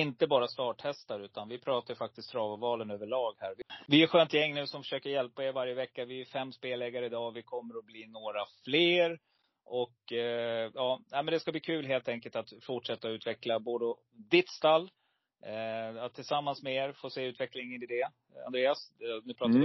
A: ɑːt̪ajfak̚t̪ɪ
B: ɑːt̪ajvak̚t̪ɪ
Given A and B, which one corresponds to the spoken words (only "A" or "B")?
A